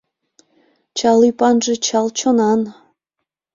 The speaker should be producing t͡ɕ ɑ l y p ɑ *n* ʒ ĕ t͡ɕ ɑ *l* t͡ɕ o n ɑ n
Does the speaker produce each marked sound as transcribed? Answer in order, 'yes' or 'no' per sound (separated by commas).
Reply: yes, yes